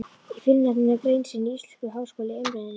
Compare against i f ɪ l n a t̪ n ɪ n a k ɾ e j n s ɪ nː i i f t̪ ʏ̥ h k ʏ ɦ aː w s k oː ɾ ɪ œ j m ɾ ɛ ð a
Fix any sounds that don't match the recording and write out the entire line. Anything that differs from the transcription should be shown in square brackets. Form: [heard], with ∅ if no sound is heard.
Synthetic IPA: i f ɪ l n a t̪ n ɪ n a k ɾ e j n s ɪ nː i i [s] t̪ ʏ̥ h k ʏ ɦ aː w s k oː [l] ɪ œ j m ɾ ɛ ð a